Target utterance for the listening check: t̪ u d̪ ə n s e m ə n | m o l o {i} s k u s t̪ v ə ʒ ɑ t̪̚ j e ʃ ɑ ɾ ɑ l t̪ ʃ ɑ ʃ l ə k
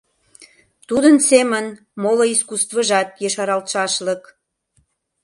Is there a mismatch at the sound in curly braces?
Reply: no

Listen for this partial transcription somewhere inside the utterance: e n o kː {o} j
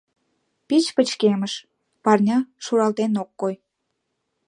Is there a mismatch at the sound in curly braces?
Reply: no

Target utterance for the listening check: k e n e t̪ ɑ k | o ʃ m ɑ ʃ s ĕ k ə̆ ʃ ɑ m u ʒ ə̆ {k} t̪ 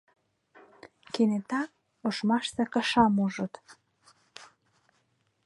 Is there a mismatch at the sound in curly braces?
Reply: yes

